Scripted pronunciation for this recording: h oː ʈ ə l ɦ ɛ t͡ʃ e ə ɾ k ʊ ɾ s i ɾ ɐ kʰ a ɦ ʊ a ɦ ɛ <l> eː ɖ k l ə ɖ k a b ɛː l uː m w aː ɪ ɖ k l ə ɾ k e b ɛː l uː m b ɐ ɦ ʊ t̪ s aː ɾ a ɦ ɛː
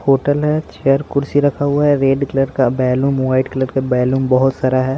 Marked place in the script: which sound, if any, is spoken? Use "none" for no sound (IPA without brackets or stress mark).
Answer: ɾ